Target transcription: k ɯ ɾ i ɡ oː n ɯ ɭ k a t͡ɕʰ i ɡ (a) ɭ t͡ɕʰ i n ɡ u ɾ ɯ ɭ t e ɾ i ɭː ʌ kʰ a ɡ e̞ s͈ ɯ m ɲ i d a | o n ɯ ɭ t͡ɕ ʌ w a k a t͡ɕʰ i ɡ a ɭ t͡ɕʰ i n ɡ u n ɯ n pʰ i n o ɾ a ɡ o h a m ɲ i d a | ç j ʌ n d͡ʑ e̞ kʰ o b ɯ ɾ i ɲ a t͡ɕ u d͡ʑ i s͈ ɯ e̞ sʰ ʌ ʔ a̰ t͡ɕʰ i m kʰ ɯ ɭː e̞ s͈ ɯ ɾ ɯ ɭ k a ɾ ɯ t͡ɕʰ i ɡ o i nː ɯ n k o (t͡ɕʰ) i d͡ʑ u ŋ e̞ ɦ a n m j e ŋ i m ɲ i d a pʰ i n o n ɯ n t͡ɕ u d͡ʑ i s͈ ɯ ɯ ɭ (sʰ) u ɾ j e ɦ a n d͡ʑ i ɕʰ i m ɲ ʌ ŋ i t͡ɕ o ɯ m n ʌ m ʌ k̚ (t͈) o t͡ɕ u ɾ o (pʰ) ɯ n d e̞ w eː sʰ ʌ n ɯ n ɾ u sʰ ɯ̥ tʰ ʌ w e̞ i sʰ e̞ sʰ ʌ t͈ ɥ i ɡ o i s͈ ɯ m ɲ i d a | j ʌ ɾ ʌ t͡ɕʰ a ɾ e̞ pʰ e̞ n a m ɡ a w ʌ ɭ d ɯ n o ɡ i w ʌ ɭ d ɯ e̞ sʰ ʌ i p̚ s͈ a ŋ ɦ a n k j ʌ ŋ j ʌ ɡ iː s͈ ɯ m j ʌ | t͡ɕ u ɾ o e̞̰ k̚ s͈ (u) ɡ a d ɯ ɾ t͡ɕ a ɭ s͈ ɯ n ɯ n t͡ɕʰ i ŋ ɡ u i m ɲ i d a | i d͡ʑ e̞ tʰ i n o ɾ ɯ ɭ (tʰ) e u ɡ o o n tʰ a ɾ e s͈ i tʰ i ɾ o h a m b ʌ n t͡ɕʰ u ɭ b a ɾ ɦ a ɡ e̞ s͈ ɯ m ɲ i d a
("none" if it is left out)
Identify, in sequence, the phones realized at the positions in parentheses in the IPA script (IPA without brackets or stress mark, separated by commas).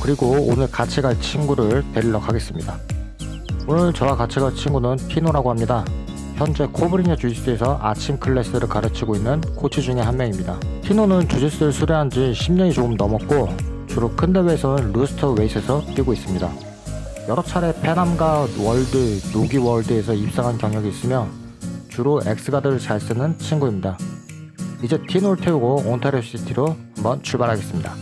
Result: a, t͡ɕʰ, sʰ, k͈, kʰ, ɯ, tʰ